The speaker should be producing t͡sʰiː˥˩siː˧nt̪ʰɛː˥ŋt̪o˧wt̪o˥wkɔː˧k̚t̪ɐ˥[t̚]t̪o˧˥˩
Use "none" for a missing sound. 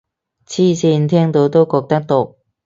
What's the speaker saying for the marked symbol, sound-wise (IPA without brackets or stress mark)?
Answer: k̚